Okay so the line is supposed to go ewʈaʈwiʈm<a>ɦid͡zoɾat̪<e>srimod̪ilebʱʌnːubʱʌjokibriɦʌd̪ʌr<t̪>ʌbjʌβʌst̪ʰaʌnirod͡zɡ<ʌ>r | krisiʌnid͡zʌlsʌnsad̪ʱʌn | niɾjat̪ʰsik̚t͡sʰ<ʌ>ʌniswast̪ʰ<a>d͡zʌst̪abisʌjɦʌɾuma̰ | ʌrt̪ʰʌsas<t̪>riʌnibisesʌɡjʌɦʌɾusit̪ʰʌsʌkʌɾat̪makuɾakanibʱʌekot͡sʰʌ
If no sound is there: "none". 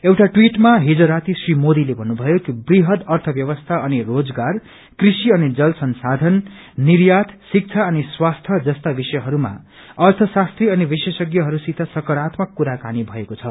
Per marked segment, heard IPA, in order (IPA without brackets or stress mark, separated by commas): a, i, t̪ʰ, a, a, ʌ, t̪